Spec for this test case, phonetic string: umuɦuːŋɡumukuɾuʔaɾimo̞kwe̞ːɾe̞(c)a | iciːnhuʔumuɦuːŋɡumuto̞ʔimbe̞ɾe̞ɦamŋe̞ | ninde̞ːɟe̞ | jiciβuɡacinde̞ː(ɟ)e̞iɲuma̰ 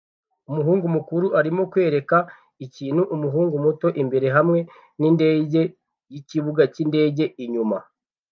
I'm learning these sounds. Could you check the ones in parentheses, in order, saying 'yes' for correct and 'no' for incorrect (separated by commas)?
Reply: no, yes